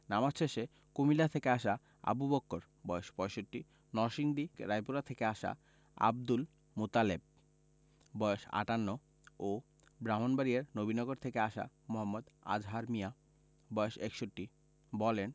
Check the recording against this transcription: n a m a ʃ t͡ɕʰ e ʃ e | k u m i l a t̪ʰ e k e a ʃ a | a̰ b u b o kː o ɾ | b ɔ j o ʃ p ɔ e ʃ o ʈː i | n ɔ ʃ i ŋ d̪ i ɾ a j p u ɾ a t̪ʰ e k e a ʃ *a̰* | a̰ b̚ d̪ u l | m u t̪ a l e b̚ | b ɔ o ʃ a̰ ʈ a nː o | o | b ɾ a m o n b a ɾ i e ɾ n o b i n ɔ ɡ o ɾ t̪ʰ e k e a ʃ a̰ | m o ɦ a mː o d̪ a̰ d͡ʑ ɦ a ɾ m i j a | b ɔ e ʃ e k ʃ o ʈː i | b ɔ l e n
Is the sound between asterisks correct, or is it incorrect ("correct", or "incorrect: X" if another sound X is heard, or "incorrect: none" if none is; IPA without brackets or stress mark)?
correct